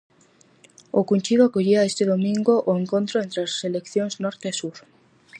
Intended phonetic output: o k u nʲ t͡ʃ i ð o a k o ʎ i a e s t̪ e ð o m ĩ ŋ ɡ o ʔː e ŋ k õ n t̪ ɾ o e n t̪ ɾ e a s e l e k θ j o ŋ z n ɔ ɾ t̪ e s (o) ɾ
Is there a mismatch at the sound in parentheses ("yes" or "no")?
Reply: yes